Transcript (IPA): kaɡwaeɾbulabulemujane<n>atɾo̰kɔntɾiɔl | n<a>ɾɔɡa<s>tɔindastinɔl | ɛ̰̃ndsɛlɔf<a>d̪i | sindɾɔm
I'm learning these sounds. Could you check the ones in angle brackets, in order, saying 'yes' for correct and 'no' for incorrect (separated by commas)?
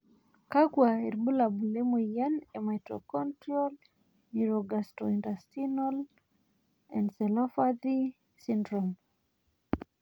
no, no, yes, yes